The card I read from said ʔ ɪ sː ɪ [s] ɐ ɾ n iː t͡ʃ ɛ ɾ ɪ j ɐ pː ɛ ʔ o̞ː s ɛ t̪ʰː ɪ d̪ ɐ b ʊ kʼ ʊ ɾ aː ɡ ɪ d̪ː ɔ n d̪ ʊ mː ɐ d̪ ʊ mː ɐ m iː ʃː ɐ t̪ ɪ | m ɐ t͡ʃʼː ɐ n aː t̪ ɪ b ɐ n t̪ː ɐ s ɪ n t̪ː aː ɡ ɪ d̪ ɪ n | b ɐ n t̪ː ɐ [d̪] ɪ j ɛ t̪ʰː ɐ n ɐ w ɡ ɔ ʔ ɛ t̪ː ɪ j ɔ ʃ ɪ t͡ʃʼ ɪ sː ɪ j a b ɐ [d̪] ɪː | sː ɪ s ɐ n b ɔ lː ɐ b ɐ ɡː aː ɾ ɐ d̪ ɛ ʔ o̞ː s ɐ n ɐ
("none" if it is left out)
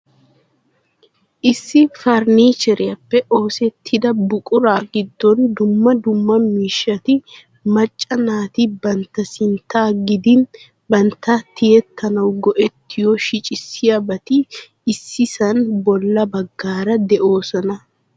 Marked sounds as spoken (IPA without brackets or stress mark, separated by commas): f, t̪, t̪